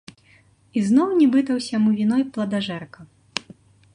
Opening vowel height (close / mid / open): close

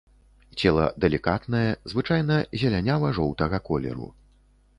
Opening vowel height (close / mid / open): mid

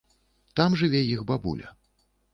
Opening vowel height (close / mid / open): open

